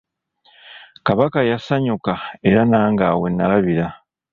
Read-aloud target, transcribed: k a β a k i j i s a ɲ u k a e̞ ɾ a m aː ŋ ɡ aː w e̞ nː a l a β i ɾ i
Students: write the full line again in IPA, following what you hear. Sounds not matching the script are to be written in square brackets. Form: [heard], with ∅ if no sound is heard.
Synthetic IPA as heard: k a β a k [a] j [a] s a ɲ u k a e̞ ɾ a [n] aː ŋ ɡ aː w e̞ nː a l a β i ɾ [a]